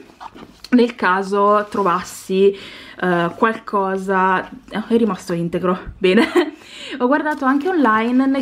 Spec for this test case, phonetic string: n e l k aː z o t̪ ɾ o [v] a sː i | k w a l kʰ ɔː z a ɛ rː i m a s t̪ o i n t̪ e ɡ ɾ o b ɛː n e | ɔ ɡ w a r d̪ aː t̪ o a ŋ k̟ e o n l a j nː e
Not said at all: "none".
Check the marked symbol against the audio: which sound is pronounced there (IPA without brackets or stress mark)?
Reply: v